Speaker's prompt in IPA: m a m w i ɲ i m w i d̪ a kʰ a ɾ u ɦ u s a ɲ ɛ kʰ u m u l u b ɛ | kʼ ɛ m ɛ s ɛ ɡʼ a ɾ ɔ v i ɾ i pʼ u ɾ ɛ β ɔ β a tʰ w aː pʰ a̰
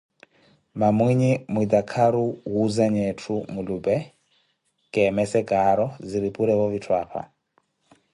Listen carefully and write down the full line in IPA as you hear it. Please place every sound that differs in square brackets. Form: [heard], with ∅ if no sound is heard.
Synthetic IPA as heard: m a m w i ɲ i m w i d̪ a kʰ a ɾ u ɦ u [z] a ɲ ɛ [tʰ] u m u l u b ɛ | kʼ ɛ m ɛ s ɛ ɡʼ a ɾ ɔ [z] i ɾ i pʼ u ɾ ɛ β ɔ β [i] tʰ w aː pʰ a̰